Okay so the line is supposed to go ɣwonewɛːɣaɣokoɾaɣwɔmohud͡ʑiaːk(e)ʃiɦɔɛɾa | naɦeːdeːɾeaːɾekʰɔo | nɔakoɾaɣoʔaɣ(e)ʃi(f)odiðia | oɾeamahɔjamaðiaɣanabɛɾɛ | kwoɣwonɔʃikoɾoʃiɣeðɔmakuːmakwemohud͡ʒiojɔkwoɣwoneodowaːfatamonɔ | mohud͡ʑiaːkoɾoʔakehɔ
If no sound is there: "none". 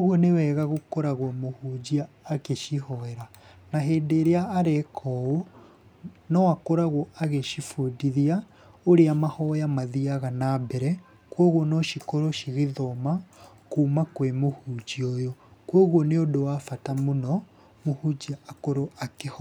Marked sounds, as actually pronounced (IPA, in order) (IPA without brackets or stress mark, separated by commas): e, e, f